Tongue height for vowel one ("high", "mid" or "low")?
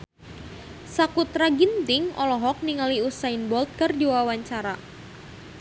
low